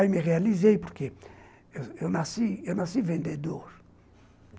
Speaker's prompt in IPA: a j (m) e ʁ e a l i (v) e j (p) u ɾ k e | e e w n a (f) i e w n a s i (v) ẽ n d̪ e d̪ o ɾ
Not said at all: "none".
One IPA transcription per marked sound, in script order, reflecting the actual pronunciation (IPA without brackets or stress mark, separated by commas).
m, z, p, s, v